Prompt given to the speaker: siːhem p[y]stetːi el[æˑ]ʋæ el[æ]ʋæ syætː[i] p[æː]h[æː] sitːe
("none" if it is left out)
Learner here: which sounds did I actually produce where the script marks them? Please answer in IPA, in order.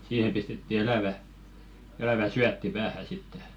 i, æˑ, æ, i, æː, æ

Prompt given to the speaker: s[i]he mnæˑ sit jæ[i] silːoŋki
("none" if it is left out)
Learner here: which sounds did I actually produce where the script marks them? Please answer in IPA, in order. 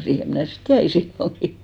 iː, i

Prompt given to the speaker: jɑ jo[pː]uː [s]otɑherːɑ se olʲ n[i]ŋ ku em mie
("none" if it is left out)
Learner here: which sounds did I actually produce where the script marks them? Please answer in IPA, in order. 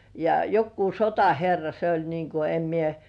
kː, s, iː

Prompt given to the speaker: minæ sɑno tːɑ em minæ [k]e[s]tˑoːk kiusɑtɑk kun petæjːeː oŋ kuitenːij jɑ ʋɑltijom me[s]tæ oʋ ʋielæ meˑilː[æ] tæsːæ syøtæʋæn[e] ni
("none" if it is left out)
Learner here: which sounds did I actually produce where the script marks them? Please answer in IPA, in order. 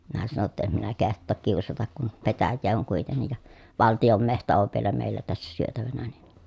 k, h, h, æ, æ

